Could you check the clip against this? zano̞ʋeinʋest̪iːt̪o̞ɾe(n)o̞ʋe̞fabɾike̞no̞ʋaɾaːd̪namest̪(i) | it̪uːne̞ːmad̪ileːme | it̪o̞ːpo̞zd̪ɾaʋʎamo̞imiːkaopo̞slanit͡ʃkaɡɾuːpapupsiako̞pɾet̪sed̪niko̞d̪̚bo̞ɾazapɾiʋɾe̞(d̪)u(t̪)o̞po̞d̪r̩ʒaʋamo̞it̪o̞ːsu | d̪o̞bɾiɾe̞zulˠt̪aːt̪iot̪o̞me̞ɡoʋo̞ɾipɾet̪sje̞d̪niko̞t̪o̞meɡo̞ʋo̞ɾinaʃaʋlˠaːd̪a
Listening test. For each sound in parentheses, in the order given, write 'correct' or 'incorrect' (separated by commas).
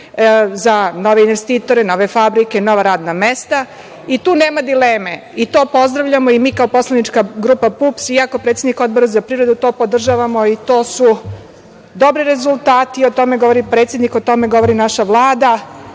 correct, incorrect, correct, correct